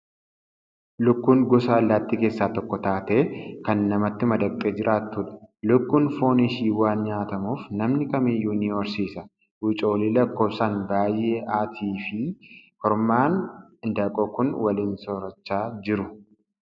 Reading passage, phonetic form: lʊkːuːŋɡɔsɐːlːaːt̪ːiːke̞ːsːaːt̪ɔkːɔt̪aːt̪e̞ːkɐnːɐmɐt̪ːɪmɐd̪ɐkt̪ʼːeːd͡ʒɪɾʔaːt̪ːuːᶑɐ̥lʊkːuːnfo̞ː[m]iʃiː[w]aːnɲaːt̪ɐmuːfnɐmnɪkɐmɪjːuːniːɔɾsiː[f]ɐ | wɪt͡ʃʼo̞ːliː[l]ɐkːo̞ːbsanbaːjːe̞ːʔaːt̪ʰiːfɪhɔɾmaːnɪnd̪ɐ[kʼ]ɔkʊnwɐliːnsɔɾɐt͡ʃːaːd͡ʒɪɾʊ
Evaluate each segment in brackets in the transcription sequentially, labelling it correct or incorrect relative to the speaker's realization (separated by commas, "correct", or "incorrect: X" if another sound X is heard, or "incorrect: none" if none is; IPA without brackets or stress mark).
incorrect: n, correct, incorrect: s, correct, correct